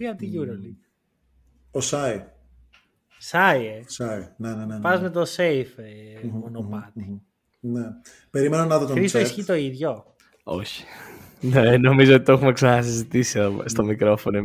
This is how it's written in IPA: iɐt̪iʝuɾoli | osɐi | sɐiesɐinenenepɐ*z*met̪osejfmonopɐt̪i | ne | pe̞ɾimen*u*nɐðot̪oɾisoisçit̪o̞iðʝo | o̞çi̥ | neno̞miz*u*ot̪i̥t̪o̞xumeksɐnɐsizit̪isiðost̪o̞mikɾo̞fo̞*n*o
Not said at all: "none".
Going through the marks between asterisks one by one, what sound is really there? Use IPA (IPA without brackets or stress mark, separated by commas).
z, o, o, n